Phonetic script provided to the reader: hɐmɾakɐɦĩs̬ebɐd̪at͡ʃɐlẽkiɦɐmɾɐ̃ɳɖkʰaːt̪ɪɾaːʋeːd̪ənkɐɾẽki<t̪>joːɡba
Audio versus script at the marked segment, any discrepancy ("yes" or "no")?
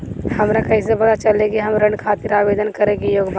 yes